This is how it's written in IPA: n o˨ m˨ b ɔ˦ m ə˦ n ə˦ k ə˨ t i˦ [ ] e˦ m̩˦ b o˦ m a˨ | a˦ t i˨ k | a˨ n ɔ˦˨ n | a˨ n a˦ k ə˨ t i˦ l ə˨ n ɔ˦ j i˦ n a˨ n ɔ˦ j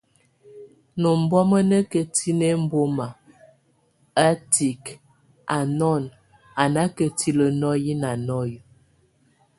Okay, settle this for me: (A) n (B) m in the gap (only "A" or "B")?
A